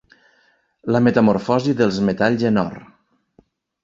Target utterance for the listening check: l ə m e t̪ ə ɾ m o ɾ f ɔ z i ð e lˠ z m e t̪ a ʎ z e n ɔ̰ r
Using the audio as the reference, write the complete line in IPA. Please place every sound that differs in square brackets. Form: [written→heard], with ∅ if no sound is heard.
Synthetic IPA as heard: l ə m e t̪ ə [ɾ→∅] m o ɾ f ɔ z i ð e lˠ z m e t̪ a ʎ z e n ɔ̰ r